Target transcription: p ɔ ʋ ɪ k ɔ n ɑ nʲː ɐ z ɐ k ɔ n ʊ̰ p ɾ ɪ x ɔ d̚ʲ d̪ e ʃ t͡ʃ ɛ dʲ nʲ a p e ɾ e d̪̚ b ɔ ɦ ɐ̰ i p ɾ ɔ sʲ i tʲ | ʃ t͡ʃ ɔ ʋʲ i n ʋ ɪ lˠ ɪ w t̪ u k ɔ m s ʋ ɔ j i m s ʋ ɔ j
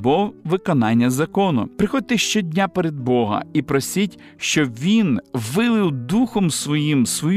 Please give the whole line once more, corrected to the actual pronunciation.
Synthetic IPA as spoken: b ɔ ʋ ɪ k ɔ n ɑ nʲː ɐ z ɐ k ɔ n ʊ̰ p ɾ ɪ x ɔ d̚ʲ t̪ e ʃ t͡ʃ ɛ dʲ nʲ a p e ɾ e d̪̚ b ɔ ɦ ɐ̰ i p ɾ ɔ sʲ i tʲ | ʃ t͡ʃ ɔ ʋʲ i n ʋ ɪ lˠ ɪ w d̪ u x ɔ m s ʋ ɔ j i m s ʋ ɔ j